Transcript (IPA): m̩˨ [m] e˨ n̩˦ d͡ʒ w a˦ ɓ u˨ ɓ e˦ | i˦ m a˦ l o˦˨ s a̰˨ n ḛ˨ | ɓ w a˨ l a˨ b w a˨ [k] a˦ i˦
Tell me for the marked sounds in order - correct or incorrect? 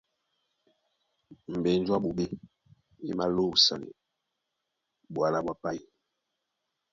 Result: incorrect, incorrect

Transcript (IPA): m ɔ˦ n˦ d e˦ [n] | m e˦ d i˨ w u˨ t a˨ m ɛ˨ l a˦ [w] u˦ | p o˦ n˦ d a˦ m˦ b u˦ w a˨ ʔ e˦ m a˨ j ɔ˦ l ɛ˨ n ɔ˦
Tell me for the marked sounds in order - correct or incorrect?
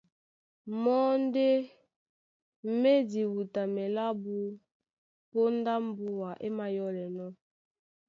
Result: incorrect, incorrect

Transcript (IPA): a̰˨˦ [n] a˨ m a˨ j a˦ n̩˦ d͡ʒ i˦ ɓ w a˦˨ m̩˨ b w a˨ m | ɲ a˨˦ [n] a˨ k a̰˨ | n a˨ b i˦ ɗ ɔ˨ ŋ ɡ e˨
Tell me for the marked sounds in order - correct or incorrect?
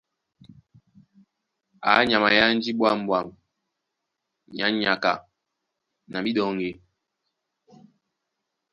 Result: incorrect, incorrect

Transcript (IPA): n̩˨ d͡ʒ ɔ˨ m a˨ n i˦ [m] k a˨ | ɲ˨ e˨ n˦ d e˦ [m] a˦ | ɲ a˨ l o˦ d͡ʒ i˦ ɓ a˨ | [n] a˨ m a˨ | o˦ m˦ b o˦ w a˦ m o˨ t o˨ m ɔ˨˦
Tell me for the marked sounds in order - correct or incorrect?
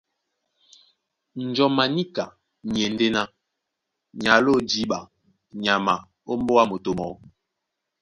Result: incorrect, incorrect, incorrect

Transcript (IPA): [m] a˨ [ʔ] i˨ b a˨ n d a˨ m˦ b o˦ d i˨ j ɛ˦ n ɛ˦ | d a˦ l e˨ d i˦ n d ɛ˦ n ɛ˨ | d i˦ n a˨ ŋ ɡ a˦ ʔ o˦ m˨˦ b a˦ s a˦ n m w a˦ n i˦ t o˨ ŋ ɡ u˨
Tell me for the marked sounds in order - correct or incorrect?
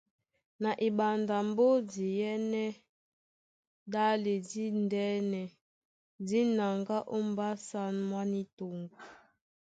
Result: incorrect, correct

